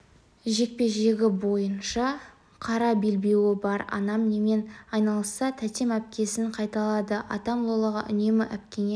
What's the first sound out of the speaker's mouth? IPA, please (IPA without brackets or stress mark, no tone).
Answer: ʒ